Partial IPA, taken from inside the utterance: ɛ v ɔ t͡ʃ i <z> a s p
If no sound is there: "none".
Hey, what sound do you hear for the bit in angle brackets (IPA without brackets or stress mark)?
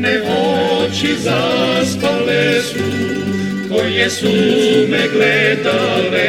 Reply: z